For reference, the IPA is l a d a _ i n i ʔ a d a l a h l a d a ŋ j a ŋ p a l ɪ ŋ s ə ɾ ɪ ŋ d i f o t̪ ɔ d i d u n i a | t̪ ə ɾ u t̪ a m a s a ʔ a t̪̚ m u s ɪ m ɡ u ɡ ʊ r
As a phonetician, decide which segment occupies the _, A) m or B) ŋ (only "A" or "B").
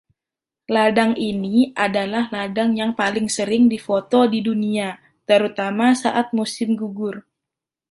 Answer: B